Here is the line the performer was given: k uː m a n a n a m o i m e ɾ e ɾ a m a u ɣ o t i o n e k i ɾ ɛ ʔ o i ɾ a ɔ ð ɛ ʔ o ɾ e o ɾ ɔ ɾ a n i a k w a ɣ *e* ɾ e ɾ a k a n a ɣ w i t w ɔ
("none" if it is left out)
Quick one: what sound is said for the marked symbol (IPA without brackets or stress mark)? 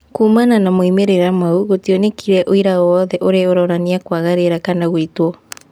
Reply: a